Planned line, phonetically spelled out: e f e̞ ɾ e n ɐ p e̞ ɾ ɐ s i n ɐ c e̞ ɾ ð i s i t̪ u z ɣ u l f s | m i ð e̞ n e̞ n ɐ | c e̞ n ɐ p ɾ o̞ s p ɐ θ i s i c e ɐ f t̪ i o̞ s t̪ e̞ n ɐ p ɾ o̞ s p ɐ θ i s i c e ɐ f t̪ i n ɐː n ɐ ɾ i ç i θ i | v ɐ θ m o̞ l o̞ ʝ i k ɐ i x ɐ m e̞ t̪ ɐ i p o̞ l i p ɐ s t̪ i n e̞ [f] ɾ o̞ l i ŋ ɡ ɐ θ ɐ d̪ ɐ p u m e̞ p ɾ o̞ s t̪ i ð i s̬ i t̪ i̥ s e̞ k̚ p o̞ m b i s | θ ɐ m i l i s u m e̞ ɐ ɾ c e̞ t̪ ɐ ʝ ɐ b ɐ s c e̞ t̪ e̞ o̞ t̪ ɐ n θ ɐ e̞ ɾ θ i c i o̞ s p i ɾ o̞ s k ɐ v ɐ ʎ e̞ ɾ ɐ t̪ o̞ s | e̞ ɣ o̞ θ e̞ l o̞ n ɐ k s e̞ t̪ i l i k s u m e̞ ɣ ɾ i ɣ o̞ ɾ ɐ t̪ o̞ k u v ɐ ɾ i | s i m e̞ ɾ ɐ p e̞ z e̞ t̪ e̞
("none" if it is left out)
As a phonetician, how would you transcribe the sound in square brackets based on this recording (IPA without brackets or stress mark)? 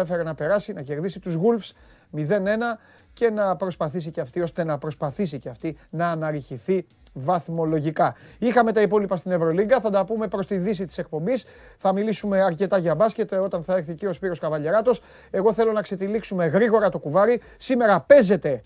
v